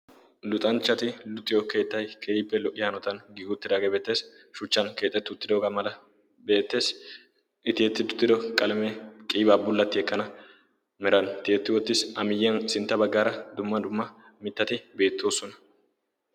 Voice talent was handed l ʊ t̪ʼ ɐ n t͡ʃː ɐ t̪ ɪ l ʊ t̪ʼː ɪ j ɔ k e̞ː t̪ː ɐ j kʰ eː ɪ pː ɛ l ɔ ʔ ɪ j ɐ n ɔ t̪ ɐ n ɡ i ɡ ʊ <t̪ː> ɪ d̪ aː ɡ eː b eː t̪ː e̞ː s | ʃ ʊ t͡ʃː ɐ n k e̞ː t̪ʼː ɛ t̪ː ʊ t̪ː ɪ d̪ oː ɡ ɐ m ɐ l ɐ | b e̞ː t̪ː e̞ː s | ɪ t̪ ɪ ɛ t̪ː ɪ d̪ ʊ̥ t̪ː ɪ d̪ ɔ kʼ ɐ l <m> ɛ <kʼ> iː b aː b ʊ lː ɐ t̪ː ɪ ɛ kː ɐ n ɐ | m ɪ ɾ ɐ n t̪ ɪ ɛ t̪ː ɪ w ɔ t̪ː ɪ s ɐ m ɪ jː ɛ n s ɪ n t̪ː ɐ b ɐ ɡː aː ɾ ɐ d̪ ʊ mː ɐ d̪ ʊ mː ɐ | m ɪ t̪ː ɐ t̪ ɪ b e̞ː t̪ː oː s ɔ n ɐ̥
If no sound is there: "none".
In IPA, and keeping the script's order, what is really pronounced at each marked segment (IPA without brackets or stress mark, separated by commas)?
t̪ː, m, kʼ